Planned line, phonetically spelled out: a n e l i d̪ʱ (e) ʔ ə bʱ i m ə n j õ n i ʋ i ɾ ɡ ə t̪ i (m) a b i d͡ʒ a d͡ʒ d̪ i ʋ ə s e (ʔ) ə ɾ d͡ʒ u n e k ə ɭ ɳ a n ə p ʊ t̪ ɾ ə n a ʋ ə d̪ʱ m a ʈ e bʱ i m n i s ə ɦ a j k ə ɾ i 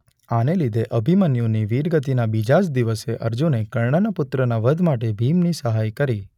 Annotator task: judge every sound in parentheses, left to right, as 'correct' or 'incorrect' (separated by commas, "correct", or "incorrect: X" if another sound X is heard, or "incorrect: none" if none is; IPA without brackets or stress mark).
correct, incorrect: n, correct